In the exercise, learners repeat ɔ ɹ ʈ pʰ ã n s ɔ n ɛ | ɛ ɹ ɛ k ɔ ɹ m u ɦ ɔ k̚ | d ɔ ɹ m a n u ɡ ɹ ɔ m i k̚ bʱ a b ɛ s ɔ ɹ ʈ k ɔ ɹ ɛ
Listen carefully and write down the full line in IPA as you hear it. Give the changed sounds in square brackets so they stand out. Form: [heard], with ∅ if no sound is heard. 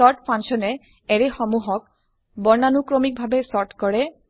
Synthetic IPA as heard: ɔ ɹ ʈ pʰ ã n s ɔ n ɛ | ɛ ɹ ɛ [x] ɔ [∅] m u ɦ ɔ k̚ | [b] ɔ ɹ [n] a n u [k] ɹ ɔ m i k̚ bʱ a b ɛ s ɔ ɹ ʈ k ɔ ɹ ɛ